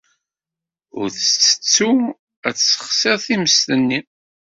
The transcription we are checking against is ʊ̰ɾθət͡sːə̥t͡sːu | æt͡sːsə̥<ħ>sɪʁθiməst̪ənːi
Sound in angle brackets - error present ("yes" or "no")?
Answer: yes